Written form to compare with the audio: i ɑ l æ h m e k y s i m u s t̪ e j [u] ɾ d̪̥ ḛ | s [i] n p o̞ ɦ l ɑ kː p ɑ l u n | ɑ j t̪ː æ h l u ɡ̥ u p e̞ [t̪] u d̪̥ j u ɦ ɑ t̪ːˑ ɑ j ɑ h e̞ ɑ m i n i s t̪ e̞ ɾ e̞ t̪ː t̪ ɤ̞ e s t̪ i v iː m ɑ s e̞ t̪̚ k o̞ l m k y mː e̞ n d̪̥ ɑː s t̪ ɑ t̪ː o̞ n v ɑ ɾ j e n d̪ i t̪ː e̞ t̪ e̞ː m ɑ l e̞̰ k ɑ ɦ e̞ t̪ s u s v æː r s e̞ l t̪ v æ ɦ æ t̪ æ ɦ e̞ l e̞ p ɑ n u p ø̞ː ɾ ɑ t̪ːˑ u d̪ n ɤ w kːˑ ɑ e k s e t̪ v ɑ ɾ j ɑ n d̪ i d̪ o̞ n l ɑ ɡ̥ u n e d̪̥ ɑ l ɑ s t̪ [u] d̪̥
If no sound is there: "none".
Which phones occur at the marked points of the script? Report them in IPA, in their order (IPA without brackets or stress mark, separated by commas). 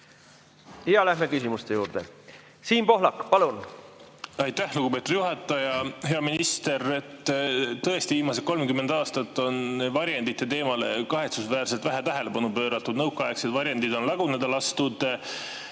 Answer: uː, iː, t̪, u